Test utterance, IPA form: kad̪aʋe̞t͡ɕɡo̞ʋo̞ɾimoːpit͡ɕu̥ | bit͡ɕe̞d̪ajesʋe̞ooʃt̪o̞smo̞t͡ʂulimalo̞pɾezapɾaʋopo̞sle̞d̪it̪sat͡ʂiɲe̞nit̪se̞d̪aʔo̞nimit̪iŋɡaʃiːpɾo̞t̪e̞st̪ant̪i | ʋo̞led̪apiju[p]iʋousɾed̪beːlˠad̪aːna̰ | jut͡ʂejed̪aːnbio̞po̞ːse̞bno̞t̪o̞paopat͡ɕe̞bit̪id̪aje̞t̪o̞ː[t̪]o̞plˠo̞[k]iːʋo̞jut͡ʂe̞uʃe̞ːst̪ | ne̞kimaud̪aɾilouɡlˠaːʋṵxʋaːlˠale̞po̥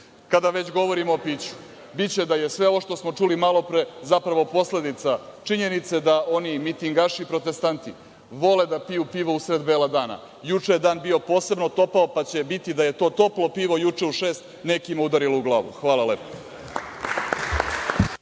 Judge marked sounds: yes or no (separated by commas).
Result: yes, yes, no